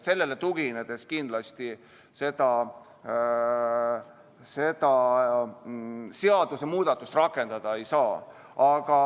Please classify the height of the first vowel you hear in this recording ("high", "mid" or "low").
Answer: mid